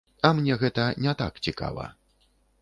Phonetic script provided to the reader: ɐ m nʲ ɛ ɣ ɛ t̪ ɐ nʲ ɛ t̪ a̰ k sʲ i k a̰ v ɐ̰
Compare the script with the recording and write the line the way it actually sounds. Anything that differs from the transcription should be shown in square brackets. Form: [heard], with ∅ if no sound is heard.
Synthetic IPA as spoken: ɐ m nʲ ɛ ɣ ɛ t̪ ɐ nʲ ɛ t̪ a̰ k [t͡sʲ] i k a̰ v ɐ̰